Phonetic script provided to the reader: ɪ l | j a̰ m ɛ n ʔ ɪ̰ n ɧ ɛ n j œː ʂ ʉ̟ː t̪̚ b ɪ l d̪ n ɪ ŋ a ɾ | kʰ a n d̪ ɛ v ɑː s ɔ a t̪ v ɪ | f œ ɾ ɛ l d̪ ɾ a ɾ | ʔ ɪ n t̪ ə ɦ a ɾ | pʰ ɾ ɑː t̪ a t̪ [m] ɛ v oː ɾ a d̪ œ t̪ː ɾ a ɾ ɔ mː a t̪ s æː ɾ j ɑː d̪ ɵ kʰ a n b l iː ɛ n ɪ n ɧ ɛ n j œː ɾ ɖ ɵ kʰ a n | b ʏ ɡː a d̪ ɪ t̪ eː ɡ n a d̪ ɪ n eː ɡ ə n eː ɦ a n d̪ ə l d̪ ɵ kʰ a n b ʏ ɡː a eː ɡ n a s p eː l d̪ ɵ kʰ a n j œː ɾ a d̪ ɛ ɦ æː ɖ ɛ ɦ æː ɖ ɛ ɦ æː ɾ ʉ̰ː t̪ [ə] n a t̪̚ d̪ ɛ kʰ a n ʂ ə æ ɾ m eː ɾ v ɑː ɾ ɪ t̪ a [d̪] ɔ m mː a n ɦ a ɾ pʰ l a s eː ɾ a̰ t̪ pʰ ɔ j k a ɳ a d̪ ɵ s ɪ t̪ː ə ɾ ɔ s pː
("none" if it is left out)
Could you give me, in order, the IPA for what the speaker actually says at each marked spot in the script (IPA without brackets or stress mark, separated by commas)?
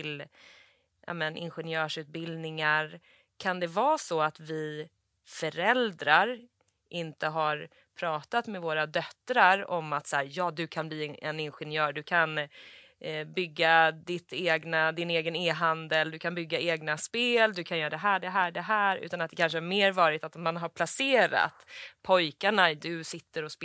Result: m, a, t̪